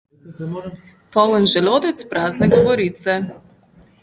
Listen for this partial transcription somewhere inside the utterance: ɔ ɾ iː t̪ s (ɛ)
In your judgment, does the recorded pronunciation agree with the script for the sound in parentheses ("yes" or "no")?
yes